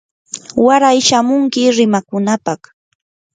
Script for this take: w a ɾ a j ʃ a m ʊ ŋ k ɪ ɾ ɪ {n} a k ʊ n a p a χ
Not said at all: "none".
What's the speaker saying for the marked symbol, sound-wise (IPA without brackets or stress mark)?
m